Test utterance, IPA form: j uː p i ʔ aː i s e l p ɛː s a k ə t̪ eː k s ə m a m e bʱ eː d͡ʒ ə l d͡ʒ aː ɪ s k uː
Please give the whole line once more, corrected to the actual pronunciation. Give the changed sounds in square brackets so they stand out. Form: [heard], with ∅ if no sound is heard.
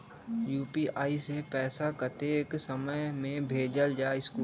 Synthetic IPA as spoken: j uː p i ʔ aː i s e [∅] p ɛː s a k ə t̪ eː k s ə m [ə] m [ẽ] bʱ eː d͡ʒ ə l d͡ʒ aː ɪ s k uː